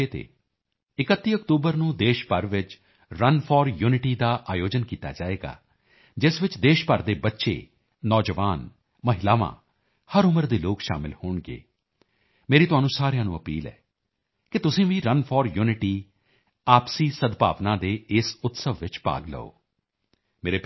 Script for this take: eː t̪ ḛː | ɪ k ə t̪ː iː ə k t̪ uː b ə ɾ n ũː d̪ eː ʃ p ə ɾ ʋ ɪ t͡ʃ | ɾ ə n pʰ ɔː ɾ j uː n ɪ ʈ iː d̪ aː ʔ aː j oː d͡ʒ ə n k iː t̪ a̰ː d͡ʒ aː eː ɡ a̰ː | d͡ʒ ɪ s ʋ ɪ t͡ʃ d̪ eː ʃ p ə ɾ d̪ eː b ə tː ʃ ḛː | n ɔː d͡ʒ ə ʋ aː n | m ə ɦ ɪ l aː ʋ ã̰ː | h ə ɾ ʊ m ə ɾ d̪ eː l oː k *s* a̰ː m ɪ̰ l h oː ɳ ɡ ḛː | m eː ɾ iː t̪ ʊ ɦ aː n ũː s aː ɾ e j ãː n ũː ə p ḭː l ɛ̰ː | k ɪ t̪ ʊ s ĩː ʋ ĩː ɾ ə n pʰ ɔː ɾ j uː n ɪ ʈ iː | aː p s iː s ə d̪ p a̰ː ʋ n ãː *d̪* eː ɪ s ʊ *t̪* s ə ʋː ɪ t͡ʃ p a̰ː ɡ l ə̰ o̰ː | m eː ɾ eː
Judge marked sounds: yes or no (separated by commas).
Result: no, yes, yes